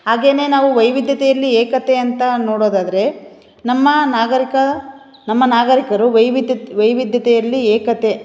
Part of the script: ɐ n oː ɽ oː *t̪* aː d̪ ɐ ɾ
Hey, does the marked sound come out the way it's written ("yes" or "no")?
no